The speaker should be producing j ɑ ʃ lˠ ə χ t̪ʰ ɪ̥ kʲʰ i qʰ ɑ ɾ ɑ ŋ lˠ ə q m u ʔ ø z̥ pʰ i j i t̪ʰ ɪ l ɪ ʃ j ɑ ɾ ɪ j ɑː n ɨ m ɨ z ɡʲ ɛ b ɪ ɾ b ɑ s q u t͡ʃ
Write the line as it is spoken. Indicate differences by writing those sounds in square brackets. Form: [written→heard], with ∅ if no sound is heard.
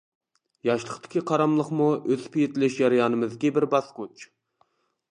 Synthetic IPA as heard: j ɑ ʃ lˠ ə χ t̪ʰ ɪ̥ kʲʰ i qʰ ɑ ɾ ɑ [ŋ→m] lˠ ə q m u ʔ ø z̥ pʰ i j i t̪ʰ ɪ l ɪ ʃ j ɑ ɾ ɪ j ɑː n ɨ m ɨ z ɡʲ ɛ b ɪ ɾ b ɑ s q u t͡ʃ